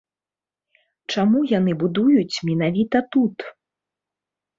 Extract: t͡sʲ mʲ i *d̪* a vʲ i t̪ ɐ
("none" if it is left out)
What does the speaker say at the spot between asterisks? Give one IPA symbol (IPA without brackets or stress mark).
n̪